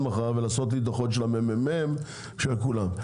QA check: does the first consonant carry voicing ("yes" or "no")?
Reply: yes